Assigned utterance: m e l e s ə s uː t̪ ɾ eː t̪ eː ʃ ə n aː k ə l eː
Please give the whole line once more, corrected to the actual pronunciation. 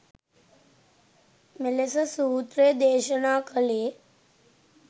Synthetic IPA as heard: m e l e s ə s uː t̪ ɾ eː d̪ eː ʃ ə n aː k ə l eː